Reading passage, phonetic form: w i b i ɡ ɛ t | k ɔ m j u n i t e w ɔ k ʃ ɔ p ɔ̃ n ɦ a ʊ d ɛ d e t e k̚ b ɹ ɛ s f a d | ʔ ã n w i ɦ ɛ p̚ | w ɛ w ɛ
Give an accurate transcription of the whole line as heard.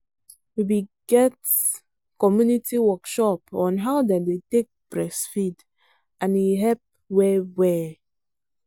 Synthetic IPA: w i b i ɡ ɛ t | k ɔ m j u n i t i w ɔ k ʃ ɔ p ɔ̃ n ɦ a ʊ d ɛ d e t e k̚ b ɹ ɛ s f i d | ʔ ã n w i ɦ ɛ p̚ | w ɛ w ɛ